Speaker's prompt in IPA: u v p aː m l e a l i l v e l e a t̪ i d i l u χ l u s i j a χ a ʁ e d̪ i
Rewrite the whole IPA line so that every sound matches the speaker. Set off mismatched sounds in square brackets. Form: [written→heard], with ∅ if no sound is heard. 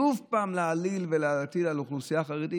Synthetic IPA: u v p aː m l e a l i l v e l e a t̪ i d [i→a] l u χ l u s i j a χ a ʁ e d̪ i